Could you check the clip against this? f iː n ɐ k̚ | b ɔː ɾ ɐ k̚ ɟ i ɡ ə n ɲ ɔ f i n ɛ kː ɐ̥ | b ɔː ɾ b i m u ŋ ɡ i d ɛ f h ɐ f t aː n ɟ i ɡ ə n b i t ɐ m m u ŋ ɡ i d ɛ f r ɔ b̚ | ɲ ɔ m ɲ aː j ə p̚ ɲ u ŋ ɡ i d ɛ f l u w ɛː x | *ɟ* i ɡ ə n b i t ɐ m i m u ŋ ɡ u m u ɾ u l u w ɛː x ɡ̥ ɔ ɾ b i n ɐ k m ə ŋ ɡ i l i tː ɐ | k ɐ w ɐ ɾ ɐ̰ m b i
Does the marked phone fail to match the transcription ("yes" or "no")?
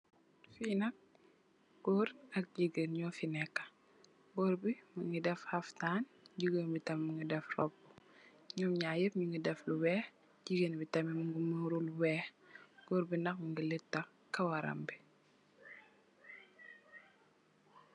no